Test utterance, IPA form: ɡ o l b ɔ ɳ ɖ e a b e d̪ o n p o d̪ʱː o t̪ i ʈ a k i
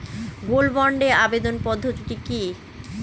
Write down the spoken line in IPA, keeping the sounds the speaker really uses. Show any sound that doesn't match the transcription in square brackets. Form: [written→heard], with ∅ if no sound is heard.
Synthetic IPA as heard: ɡ o l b ɔ ɳ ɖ e a b e d̪ o n p [o→ɔ] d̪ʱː o t̪ i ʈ [a→i] k i